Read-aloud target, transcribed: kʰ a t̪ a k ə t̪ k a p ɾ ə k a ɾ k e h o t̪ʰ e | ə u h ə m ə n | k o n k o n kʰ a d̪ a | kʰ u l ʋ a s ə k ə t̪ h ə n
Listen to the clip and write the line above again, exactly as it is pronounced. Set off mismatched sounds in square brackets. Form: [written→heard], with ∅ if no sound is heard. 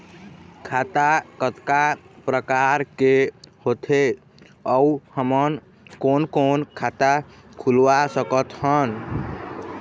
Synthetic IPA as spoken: kʰ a t̪ a k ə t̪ k a p ɾ ə k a ɾ k e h o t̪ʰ e | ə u h ə m ə n | k o n k o n kʰ a [d̪→t̪] a | kʰ u l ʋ a s ə k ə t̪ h ə n